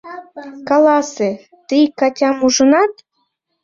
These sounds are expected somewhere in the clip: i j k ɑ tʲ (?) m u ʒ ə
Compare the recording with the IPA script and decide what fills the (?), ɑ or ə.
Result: ɑ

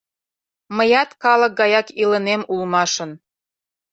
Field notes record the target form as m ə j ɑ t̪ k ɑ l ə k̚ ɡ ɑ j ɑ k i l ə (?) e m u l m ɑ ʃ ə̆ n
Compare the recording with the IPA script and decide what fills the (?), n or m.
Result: n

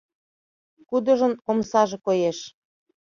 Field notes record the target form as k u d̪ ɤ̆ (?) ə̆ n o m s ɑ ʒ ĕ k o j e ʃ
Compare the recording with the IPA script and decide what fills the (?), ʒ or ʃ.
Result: ʒ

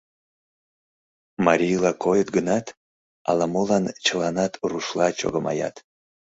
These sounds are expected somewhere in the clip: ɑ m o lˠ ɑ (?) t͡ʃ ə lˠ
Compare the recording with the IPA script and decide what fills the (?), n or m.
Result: n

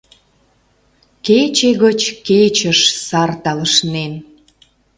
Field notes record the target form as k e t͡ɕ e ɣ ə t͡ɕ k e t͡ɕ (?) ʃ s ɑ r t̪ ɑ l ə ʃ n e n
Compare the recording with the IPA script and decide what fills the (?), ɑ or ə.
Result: ə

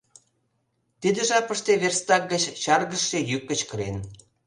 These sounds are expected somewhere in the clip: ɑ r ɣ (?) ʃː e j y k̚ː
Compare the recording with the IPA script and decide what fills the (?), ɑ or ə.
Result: ə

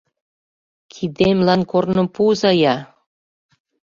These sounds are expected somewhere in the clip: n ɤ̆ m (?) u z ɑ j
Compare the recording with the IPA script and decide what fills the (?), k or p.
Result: p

